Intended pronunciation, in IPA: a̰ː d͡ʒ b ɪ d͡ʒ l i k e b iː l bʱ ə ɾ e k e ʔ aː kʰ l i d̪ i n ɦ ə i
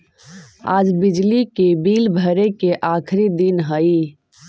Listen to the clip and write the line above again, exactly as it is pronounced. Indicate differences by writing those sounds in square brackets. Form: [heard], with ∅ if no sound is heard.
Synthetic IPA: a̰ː d͡ʒ b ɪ d͡ʒ l i k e b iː l bʱ ə ɾ e k e ʔ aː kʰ [ɾ] i d̪ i n ɦ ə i